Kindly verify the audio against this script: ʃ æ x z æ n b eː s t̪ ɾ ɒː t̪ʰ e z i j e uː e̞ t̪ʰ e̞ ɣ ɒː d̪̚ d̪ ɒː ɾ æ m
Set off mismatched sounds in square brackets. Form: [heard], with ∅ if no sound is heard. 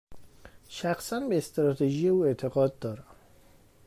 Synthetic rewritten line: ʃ æ x [s] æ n b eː s t̪ ɾ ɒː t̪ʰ e [ʒ] i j e uː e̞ t̪ʰ e̞ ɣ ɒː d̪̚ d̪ ɒː ɾ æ m